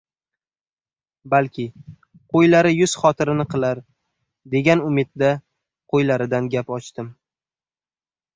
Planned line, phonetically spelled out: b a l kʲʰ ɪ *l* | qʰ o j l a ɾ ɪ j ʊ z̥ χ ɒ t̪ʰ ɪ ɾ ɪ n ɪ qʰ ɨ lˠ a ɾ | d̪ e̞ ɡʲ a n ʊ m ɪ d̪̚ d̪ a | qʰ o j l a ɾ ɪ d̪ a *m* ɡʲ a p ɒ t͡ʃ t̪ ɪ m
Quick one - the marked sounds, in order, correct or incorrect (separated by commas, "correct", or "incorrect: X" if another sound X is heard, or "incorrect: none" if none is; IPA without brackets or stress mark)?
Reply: incorrect: none, incorrect: n